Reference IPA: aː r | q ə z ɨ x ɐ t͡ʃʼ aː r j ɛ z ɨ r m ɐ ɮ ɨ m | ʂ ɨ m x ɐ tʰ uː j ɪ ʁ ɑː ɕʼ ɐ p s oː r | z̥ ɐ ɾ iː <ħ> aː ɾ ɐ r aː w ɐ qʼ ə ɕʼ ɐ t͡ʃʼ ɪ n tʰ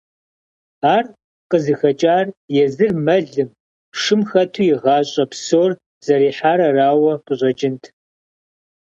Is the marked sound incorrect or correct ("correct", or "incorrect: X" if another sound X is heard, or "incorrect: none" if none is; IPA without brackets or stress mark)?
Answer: correct